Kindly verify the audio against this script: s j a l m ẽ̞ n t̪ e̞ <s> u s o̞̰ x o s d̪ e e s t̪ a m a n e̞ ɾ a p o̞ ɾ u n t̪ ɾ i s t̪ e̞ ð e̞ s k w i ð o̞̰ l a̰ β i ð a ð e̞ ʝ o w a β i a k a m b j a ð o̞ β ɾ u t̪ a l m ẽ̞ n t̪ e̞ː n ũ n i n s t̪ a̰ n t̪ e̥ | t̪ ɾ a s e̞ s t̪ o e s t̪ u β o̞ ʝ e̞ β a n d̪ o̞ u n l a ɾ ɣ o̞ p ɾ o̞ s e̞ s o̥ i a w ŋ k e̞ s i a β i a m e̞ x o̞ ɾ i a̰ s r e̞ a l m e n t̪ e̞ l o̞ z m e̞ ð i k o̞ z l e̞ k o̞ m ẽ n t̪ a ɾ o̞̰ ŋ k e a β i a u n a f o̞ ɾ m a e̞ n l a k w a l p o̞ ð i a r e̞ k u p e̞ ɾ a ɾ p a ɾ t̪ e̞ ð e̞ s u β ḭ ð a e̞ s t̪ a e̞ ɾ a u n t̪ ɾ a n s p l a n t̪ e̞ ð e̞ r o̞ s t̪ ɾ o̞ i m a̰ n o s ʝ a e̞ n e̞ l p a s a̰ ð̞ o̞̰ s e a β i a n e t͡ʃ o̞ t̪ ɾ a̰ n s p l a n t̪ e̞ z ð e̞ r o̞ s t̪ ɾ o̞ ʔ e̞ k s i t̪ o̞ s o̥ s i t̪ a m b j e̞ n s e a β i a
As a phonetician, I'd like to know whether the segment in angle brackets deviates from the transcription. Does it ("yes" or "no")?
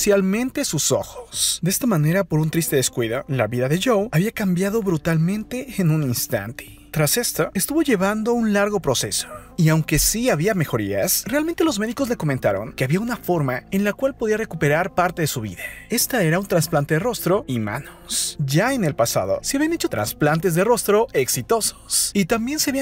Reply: no